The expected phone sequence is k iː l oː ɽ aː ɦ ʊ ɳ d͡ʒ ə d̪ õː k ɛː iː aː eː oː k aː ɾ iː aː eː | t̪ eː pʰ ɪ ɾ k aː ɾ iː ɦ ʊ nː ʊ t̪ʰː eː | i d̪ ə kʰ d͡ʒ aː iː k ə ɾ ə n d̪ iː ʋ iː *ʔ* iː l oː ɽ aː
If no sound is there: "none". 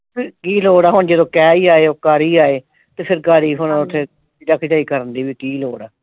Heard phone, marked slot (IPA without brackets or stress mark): k